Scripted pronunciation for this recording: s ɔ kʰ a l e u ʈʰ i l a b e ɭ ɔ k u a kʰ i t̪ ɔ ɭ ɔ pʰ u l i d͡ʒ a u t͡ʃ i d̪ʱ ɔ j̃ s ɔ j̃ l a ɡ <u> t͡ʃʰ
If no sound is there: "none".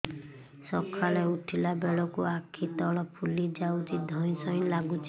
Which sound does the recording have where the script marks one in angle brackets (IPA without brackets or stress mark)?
u